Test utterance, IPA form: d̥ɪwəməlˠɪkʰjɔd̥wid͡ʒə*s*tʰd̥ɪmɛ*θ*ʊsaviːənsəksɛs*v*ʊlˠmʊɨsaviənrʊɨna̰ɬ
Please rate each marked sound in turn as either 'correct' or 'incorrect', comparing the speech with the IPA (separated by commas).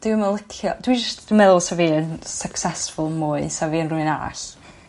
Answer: correct, incorrect, incorrect